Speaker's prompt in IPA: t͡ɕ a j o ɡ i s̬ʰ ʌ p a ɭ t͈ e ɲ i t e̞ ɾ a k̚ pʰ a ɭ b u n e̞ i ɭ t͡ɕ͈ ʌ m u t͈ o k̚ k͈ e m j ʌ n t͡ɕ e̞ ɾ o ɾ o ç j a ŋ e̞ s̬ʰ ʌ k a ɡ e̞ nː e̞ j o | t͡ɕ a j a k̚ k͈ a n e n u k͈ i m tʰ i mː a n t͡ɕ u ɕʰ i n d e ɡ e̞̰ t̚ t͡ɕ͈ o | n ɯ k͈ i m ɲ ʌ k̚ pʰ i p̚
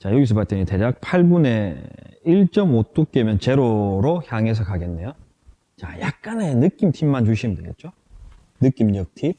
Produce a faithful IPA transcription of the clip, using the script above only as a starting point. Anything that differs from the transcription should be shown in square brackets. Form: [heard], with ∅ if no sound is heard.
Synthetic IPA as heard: t͡ɕ a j o ɡ i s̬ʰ ʌ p a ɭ t͈ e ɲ i t e̞ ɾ a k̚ pʰ a ɭ b u n e̞ i ɭ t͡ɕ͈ ʌ m [o] t͈ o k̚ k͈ e m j ʌ n t͡ɕ e̞ ɾ o ɾ o ç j a ŋ e̞ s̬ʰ ʌ k a ɡ e̞ nː e̞ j o | t͡ɕ a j a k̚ k͈ a n e n [ɯ] k͈ i m tʰ i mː a n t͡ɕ u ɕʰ i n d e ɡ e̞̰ t̚ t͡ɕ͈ o | n ɯ k͈ i m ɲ ʌ k̚ [tʰ] i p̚